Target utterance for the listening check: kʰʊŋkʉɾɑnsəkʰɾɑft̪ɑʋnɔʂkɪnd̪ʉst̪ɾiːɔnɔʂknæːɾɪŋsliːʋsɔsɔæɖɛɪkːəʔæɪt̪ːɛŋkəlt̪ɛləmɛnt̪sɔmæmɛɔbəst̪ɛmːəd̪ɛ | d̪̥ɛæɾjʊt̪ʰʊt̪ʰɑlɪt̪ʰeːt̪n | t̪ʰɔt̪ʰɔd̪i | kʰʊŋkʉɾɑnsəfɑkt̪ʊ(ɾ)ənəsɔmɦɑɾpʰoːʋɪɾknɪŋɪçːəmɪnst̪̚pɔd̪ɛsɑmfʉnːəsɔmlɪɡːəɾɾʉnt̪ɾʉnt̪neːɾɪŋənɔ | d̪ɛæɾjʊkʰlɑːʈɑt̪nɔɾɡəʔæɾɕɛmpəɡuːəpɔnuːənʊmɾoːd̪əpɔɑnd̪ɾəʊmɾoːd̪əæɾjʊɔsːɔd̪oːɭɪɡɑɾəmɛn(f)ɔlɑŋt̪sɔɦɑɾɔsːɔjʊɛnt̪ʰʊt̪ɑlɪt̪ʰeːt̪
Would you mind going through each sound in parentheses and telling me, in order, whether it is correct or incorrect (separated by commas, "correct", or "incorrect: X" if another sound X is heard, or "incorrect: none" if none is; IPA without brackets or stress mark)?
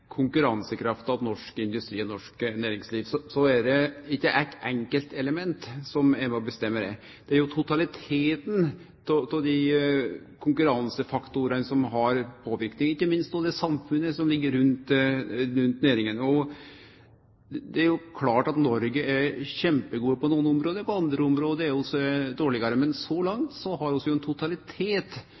correct, incorrect: s